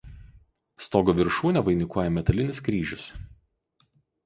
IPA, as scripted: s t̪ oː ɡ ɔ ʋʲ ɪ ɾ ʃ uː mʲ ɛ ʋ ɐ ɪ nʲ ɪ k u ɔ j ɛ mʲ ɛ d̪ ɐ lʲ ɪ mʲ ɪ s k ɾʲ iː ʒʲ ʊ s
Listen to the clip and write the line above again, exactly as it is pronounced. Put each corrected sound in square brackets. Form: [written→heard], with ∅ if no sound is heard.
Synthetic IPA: s t̪ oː ɡ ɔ ʋʲ ɪ ɾ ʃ uː [mʲ→nʲ] ɛ ʋ ɐ ɪ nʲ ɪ k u ɔ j ɛ mʲ ɛ [d̪→t̪] ɐ lʲ ɪ [mʲ→nʲ] ɪ s k ɾʲ iː ʒʲ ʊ s